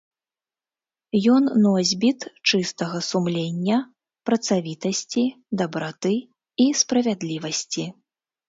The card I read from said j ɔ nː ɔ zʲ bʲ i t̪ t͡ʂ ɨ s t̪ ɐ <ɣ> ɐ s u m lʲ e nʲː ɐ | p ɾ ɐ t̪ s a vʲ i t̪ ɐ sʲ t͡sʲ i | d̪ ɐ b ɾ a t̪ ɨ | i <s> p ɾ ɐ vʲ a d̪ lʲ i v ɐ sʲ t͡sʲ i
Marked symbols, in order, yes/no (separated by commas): yes, yes